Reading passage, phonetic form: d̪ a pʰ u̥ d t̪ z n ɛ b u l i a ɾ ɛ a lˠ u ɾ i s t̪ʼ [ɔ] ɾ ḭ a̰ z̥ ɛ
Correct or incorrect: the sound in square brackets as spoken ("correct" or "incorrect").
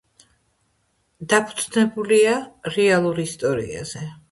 correct